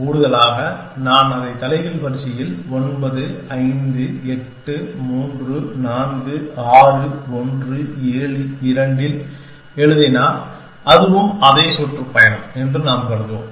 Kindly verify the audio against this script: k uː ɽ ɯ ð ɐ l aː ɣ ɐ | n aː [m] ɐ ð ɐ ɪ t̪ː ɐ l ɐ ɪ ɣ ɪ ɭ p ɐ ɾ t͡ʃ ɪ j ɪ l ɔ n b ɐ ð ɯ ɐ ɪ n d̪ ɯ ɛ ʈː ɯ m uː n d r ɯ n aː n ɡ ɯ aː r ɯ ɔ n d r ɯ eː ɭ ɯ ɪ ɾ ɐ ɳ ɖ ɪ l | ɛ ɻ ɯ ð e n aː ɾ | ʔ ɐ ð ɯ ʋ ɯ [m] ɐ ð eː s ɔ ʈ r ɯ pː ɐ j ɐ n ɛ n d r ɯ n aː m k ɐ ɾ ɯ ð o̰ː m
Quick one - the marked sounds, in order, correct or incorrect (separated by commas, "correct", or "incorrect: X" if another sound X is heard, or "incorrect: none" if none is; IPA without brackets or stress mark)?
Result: incorrect: n, correct